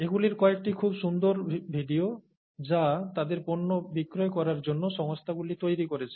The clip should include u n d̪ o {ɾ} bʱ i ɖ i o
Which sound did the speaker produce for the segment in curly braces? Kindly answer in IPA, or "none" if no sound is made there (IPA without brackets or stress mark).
ɾ